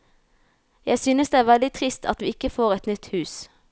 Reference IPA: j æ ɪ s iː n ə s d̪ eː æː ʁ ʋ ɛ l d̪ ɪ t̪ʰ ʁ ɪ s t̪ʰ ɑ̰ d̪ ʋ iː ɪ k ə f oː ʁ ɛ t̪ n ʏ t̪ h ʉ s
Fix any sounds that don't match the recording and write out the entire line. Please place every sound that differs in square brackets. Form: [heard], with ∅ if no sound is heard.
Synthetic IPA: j æ ɪ s [yː] n ə s d̪ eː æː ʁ ʋ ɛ l d̪ ɪ t̪ʰ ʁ ɪ s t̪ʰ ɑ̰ [t̪] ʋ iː ɪ k ə f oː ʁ ɛ t̪ n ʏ t̪ h [ʉː] s